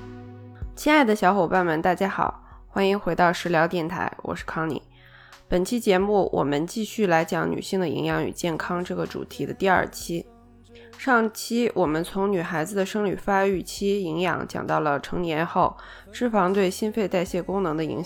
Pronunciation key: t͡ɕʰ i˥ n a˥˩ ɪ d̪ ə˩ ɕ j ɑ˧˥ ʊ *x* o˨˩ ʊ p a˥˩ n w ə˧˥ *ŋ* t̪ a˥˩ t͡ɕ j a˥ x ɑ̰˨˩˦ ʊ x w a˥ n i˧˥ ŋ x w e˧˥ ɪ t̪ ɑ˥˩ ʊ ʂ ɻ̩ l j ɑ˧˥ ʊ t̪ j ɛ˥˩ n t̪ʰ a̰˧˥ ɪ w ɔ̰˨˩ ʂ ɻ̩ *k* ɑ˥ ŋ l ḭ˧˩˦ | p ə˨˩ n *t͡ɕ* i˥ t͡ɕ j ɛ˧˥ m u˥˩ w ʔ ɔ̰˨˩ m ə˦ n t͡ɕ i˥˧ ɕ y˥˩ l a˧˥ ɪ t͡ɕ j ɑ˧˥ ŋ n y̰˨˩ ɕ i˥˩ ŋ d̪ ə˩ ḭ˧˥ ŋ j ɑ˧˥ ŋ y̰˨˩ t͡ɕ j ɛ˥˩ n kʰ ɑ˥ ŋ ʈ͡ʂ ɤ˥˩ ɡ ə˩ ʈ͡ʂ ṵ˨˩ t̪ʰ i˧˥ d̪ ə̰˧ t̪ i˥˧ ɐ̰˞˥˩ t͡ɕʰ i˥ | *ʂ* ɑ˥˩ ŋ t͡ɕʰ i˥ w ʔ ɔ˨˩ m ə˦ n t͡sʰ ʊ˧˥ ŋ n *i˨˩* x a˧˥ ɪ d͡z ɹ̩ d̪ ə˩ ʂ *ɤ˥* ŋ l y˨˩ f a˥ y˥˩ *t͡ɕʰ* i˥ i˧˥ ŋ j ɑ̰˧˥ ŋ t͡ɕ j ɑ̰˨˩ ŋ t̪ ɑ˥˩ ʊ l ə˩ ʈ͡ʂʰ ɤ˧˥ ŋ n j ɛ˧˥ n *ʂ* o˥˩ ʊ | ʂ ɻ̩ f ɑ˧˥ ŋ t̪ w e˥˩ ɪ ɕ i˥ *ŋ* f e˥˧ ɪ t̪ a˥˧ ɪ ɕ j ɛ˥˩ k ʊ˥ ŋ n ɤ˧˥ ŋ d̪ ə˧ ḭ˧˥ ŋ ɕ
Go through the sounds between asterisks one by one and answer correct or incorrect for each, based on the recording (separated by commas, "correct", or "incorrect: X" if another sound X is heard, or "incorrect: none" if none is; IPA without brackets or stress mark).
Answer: correct, incorrect: n, incorrect: kʰ, incorrect: t͡ɕʰ, correct, incorrect: y˨˩, correct, correct, incorrect: x, incorrect: n